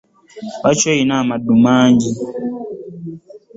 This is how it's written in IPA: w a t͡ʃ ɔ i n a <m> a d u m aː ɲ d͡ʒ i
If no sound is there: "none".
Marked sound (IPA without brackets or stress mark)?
m